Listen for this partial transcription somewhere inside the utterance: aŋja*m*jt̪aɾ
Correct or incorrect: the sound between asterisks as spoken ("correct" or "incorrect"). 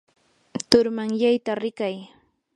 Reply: incorrect